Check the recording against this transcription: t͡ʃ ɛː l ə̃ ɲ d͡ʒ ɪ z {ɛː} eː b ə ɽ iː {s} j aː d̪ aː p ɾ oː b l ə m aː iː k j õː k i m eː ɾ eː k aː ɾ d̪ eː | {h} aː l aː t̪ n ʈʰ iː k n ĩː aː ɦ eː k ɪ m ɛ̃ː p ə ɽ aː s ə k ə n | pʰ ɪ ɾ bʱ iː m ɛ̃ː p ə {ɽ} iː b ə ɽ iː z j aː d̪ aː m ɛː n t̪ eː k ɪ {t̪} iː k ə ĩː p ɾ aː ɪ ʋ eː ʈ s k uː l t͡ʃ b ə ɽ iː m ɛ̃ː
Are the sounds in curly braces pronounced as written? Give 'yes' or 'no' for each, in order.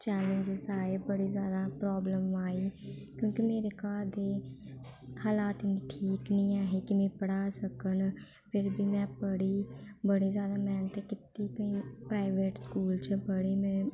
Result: no, no, yes, yes, yes

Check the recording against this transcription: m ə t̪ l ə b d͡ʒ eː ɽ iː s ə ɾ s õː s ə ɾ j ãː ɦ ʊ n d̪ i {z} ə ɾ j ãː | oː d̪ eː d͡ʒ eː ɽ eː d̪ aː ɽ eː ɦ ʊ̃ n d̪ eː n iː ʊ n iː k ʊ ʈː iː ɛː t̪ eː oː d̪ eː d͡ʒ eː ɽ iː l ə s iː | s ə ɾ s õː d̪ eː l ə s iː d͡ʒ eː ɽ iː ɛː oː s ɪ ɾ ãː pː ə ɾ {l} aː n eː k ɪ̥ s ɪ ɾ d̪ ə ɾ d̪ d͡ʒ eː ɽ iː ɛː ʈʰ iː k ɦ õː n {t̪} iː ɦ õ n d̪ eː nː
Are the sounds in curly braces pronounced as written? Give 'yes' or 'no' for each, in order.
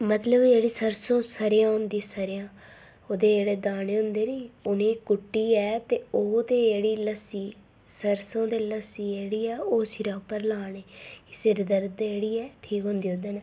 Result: no, yes, no

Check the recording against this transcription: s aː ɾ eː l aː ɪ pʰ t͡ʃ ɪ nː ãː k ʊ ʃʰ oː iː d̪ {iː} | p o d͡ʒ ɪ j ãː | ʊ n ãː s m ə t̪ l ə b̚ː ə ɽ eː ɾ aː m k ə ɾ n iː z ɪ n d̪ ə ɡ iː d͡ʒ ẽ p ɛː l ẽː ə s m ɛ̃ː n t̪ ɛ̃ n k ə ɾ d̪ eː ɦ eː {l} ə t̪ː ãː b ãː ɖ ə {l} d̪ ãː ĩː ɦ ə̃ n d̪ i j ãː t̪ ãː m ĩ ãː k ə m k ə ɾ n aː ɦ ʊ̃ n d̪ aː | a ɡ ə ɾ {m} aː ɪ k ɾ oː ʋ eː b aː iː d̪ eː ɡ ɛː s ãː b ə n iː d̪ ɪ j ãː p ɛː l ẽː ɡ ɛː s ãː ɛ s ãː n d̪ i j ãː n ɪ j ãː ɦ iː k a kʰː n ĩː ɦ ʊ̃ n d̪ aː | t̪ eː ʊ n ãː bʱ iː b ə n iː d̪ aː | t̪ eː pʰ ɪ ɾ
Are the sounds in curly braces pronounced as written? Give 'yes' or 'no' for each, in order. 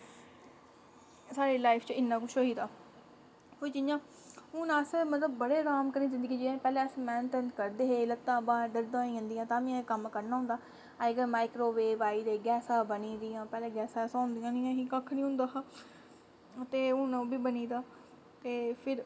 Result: no, yes, no, yes

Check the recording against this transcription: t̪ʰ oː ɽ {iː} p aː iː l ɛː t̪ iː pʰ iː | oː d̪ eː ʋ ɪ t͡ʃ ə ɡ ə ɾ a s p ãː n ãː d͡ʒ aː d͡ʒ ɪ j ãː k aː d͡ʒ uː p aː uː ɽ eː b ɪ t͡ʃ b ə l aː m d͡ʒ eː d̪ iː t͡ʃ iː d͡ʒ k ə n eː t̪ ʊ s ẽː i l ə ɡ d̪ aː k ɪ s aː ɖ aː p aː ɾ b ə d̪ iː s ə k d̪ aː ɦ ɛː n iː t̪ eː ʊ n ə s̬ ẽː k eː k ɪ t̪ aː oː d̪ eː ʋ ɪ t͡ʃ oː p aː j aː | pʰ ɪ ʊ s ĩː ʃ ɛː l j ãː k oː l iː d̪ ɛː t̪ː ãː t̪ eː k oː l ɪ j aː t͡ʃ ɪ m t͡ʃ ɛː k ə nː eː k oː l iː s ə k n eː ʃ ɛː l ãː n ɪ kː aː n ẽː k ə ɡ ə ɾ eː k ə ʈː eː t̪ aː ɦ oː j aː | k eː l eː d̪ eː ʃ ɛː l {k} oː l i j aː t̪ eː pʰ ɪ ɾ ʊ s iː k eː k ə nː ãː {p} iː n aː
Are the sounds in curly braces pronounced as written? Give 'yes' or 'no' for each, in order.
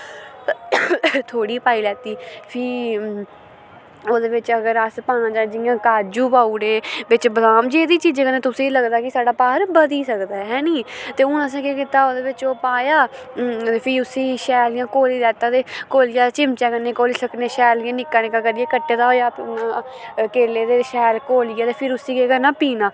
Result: yes, yes, yes

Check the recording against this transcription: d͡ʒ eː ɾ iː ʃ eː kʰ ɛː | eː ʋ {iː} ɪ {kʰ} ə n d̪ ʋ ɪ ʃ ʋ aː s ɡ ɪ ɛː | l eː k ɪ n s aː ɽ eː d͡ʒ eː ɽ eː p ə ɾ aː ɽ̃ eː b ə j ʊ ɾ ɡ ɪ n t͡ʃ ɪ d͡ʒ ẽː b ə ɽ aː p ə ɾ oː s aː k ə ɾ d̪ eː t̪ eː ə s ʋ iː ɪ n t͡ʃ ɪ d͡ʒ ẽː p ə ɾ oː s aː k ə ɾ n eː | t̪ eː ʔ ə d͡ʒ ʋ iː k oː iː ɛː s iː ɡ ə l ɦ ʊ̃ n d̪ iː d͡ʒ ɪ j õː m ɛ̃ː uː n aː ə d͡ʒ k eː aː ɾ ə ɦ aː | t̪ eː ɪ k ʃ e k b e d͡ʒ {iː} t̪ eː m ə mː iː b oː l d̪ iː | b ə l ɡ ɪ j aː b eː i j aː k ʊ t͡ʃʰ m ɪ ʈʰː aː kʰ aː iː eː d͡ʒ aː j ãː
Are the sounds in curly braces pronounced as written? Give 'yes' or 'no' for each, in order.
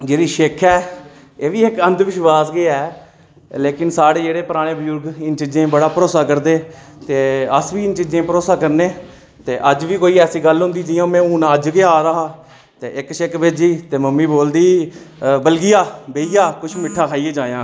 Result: yes, no, yes

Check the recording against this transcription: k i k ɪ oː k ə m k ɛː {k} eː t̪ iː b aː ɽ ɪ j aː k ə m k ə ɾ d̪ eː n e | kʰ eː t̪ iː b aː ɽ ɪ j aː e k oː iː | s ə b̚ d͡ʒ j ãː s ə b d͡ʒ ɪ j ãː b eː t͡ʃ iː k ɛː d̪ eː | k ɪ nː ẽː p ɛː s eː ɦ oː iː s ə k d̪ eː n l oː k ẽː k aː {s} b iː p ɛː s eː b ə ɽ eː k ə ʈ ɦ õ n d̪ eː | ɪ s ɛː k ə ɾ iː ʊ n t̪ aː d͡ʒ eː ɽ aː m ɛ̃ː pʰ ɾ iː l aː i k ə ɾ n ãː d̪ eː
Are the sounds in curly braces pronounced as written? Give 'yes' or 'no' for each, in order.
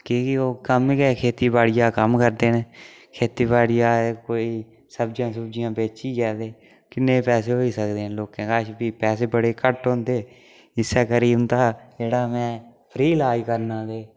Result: no, no

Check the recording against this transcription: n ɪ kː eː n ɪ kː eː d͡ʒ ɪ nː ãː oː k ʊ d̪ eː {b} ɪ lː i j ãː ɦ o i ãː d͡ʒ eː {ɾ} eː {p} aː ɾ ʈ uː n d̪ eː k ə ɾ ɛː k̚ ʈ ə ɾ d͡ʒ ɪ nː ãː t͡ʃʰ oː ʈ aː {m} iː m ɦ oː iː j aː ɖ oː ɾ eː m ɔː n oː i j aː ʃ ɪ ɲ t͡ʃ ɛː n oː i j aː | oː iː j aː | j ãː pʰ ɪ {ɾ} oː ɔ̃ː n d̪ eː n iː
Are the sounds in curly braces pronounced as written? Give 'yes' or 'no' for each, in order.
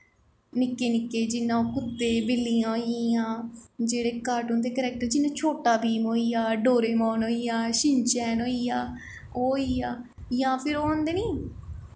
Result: yes, no, no, no, yes

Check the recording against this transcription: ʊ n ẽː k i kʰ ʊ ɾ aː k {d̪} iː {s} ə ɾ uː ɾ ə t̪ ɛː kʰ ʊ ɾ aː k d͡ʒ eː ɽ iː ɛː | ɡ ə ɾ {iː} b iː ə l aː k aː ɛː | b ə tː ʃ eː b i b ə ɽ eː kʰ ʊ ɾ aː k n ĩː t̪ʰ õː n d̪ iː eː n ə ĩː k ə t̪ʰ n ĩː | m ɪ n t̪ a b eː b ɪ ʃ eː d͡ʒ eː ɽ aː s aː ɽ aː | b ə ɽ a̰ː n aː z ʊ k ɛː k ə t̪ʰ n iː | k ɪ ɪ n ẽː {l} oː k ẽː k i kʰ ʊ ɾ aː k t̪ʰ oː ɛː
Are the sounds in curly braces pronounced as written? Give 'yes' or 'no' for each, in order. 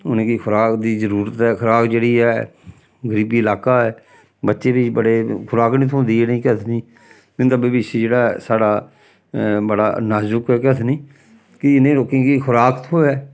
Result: yes, no, yes, no

